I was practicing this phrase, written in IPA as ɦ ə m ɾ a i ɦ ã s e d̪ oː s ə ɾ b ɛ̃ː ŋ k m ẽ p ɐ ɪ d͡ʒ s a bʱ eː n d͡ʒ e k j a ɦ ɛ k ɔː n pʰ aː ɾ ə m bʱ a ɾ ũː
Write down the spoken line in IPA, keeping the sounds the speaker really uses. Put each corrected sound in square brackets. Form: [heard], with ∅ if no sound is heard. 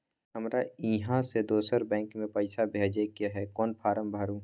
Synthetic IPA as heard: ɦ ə m ɾ a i ɦ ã s e d̪ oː s ə ɾ b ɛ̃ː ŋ k m ẽ p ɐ ɪ [∅] s a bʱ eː [∅] d͡ʒ e k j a ɦ ɛ k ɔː n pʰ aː ɾ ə m bʱ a ɾ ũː